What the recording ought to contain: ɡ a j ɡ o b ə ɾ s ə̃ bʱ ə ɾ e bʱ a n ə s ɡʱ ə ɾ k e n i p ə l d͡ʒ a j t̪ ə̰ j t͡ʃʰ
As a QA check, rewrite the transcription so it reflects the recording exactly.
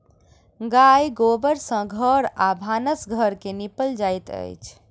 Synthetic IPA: ɡ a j ɡ o b ə ɾ s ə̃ ɡʱ ə ɾ a bʱ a n ə s ɡʱ ə ɾ k e n i p ə l d͡ʒ a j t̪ ə̰ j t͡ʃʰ

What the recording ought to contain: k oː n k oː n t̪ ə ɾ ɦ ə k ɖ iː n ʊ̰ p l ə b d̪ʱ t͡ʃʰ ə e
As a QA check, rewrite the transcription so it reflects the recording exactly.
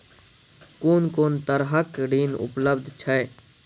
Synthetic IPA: k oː n k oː n t̪ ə ɾ ɦ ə k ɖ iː n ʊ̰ p l ə b d̪ʱ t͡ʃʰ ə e

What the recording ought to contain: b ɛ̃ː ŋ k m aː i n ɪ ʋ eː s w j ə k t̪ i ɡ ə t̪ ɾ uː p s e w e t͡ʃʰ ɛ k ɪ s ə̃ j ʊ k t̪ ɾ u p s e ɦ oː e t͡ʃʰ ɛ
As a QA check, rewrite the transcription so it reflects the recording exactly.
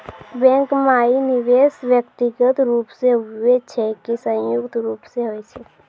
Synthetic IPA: b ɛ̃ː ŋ k m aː i n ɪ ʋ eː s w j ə k t̪ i ɡ ə t̪ ɾ uː p s e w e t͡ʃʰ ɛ k i s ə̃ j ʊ k t̪ ɾ uː p s e ɦ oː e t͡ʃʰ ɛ

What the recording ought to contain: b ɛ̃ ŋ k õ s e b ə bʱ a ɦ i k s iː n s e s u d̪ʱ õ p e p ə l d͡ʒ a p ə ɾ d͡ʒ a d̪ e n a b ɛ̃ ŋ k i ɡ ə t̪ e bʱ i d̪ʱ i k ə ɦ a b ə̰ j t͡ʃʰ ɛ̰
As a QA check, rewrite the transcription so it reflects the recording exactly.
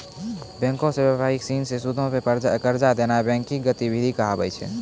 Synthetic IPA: b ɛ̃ ŋ k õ s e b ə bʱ a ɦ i k s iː n s e s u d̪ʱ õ p e p ə ɾ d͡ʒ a k ə ɾ d͡ʒ a d̪ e n a b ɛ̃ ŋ k i ɡ ə t̪ i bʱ i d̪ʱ i k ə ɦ a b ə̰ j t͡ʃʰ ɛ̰

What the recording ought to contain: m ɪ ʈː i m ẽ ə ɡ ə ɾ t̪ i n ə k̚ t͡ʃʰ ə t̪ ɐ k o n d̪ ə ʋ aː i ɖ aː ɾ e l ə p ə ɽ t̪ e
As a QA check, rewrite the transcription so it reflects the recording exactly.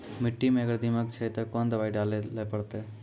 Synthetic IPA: m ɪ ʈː i m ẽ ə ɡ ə ɾ d̪ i m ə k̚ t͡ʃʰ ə t̪ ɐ k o n d̪ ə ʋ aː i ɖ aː l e l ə p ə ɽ t̪ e

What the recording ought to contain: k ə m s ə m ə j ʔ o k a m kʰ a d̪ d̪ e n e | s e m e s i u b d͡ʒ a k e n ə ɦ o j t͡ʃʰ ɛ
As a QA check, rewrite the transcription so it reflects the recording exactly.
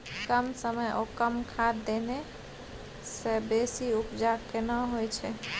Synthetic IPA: k ə m s ə m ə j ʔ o k ə m kʰ a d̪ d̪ e n e | s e b e s i u p d͡ʒ a k e n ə ɦ o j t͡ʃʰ ɛ

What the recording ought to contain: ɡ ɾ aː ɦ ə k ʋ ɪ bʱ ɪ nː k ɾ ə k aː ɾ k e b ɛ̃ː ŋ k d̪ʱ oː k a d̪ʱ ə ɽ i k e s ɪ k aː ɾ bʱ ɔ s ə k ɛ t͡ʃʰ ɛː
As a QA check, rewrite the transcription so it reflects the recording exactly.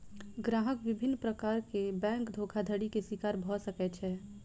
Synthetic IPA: ɡ ɾ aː ɦ ə k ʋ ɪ bʱ ɪ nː p ɾ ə k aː ɾ k e b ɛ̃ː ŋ k d̪ʱ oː kʰ a d̪ʱ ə ɽ i k e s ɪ k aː ɾ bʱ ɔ s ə k ɛ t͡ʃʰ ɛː

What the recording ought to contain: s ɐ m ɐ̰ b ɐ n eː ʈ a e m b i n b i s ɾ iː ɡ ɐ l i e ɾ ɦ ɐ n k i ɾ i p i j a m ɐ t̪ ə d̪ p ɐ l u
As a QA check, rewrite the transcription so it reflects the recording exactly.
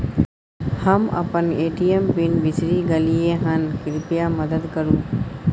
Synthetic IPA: h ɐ m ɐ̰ p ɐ n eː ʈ i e m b i n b i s ɾ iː ɡ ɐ l i e ɦ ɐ n k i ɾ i p i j a m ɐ d̪ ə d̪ k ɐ ɾ u

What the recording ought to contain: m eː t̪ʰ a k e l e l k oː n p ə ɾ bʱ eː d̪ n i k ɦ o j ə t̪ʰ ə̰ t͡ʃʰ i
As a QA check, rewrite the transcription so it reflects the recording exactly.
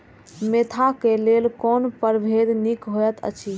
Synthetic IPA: m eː t̪ʰ a k e l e l k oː n p ə ɾ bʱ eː d̪ n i k ɦ o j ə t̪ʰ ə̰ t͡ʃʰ i

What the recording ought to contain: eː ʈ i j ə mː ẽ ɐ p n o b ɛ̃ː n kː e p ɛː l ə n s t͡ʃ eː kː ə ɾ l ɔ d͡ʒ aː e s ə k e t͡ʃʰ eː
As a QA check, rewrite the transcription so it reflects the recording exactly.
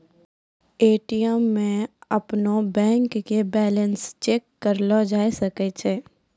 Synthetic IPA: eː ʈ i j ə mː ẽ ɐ p n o b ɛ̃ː ŋ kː e b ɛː l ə n s t͡ʃ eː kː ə ɾ l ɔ d͡ʒ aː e s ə k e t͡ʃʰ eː

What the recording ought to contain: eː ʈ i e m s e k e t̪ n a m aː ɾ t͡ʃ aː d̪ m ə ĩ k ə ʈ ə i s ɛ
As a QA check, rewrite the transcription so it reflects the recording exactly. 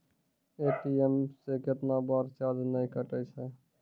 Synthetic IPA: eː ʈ i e m s e k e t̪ n a b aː ɾ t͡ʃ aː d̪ n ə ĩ k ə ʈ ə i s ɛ

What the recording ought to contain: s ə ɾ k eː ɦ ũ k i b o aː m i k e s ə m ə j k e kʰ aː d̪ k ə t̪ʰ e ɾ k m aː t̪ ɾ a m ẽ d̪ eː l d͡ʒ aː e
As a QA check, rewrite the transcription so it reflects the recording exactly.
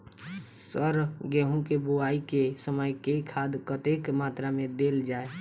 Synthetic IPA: s ə ɾ ɡ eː ɦ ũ k e b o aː i k e s ə m ə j k e kʰ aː d̪ k ə t̪ e k m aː t̪ ɾ a m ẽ d̪ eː l d͡ʒ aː e

